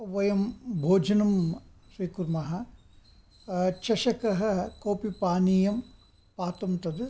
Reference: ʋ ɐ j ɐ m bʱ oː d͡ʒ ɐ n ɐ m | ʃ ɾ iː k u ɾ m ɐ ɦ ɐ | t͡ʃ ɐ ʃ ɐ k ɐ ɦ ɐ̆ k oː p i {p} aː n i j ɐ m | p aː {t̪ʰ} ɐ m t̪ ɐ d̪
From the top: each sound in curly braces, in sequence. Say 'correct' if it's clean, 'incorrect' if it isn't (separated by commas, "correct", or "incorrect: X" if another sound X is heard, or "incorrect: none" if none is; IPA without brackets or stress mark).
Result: correct, incorrect: t̪